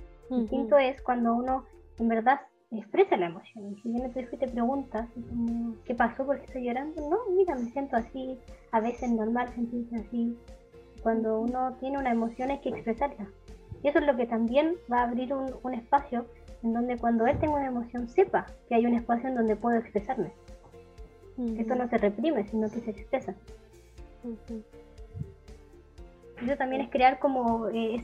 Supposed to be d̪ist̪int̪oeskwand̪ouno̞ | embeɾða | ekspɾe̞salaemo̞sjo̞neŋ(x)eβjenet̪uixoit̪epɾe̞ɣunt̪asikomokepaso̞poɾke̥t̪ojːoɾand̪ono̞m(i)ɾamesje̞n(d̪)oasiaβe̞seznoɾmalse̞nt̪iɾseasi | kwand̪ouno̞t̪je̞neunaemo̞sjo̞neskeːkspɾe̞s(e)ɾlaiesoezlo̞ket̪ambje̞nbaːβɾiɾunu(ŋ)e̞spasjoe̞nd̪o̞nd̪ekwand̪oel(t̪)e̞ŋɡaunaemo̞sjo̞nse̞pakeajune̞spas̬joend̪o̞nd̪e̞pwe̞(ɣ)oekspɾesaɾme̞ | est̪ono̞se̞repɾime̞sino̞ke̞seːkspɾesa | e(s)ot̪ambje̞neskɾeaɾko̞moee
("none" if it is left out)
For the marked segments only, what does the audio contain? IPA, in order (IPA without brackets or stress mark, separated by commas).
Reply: k, i, t̪, a, n, t̪, ð, s